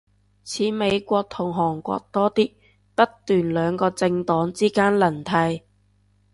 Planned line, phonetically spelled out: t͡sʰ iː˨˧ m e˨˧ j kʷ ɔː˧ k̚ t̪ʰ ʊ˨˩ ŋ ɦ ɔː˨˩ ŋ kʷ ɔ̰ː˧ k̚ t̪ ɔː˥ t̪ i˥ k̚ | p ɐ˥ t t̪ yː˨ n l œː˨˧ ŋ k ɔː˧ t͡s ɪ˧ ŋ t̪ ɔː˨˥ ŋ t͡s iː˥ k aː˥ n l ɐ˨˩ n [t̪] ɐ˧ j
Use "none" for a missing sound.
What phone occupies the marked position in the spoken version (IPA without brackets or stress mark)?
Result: t̪ʰ